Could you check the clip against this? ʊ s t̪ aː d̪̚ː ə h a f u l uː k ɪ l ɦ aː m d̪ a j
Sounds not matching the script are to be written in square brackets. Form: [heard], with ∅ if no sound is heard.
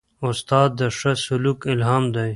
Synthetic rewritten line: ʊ s t̪ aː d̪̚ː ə [ʂ] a [s] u l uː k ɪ l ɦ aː m d̪ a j